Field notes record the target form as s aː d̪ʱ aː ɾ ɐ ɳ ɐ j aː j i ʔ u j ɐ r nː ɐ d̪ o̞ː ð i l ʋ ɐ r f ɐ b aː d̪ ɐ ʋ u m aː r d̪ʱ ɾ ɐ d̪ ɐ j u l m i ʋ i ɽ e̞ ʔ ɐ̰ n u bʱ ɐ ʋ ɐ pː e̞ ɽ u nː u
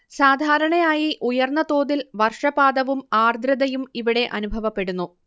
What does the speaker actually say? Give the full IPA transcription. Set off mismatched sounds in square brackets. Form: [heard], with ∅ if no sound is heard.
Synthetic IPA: s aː d̪ʱ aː ɾ ɐ ɳ ɐ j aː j i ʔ u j ɐ r nː ɐ [t̪] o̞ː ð i l ʋ ɐ r [ʂ] ɐ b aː d̪ ɐ ʋ u m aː r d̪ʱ ɾ ɐ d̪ ɐ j u [∅] m i ʋ i ɽ e̞ ʔ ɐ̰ n u bʱ ɐ ʋ ɐ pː e̞ ɽ u nː u